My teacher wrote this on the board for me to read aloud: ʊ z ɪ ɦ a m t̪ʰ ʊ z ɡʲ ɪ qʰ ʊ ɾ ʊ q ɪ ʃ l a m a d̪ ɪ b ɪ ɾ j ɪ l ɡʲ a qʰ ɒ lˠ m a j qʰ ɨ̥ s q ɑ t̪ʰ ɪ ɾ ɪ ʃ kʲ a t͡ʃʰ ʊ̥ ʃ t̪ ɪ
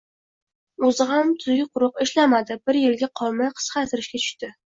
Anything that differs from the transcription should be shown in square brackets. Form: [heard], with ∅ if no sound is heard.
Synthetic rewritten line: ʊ z ɪ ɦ a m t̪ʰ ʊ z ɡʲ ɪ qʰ ʊ ɾ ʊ q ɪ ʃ l a m a d̪ ɪ b ɪ ɾ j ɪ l ɡʲ a qʰ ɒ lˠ m a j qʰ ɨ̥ s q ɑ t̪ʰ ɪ ɾ ɪ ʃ kʲ a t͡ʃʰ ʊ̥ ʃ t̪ ɪ